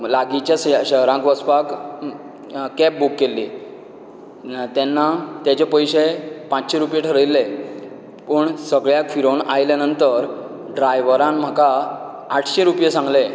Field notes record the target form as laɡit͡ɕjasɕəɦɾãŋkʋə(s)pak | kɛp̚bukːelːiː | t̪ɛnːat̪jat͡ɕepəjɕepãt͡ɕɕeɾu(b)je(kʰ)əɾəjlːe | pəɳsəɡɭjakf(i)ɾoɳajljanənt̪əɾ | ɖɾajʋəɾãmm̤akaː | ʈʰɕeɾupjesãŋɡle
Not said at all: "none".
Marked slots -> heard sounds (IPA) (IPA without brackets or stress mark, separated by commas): s, p, ʈʰ, i